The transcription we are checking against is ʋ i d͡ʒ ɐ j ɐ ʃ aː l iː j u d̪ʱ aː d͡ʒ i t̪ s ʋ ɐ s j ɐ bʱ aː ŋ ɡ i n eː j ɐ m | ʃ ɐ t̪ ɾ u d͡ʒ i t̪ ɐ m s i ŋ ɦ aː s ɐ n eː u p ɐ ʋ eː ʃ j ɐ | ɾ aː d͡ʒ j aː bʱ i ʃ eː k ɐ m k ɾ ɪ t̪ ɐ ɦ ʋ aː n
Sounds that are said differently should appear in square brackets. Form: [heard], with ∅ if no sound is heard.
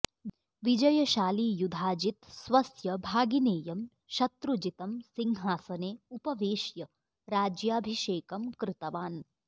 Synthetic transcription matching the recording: ʋ i d͡ʒ ɐ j ɐ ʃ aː l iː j u d̪ʱ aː d͡ʒ i t̪ s ʋ ɐ s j ɐ bʱ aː [∅] ɡ i n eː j ɐ m | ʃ ɐ t̪ ɾ u d͡ʒ i t̪ ɐ m s i ŋ ɦ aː s ɐ n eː u p ɐ ʋ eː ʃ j ɐ | ɾ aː d͡ʒ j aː bʱ i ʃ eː k ɐ m k ɾ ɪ t̪ ɐ [∅] ʋ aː n

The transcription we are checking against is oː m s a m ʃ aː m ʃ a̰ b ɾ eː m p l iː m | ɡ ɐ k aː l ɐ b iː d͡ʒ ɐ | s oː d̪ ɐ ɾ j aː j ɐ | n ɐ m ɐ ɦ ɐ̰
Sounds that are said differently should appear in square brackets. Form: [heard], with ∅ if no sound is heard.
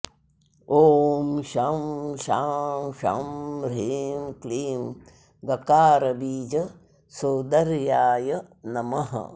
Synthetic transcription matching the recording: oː m [ʃ] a m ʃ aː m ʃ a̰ [m] ɾ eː m [k] l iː m | ɡ ɐ k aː [ɾ] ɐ b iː d͡ʒ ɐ | s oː d̪ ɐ ɾ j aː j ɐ | n ɐ m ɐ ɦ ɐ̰

